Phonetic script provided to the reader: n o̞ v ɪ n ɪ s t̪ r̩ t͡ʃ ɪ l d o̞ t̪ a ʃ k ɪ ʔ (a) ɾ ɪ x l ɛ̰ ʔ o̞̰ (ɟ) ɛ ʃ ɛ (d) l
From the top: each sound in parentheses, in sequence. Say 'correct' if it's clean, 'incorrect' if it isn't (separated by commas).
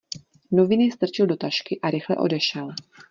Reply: correct, incorrect, incorrect